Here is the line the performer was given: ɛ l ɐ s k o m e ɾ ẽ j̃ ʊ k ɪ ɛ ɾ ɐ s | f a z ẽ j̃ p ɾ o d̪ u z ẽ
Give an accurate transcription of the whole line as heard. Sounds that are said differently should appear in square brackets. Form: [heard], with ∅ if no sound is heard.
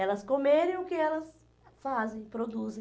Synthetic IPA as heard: ɛ l ɐ s k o m e ɾ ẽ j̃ ʊ k ɪ ɛ [l] ɐ s | f a z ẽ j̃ p ɾ o d̪ u z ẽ